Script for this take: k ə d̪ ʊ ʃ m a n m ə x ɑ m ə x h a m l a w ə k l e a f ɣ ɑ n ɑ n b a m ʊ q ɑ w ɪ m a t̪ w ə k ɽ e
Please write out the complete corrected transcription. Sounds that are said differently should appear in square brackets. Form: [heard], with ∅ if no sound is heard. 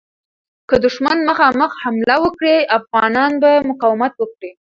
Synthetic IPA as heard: k ə d̪ ʊ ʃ m a n m ə x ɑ m ə x h a m l a w ə k [ɽ] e a f ɣ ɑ n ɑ n b a m ʊ q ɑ w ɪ m a t̪ w ə k ɽ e